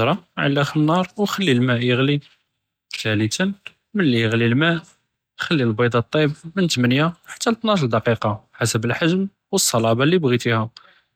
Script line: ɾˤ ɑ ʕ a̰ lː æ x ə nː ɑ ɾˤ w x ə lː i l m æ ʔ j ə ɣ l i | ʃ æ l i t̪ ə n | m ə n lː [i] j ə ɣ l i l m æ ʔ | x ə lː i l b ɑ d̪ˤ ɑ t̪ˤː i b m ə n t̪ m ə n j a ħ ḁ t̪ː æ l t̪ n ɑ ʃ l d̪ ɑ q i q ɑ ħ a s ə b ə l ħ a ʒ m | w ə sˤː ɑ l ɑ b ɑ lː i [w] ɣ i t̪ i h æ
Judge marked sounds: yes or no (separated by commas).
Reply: yes, no